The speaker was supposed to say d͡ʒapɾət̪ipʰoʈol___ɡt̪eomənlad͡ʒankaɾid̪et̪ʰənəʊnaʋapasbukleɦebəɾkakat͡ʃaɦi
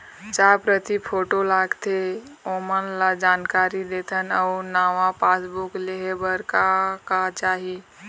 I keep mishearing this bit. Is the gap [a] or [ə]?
a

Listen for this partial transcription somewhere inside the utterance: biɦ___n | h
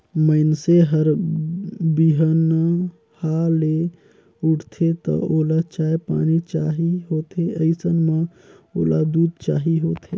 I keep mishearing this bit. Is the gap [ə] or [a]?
ə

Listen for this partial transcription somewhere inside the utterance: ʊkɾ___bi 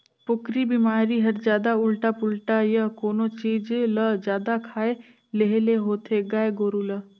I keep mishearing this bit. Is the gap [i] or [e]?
i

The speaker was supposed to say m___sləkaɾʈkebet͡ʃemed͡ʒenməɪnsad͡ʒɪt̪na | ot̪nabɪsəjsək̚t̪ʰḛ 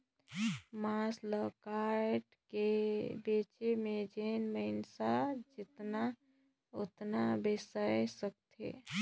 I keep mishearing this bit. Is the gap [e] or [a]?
a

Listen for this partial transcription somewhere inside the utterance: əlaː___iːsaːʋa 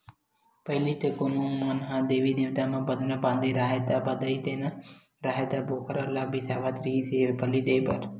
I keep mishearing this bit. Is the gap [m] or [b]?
b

